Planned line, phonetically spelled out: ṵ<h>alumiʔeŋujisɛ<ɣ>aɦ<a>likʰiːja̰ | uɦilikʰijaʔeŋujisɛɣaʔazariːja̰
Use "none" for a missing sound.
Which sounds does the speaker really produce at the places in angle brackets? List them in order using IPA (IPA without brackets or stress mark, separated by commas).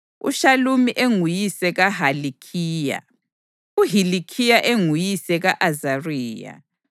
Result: ʃ, ɣ, a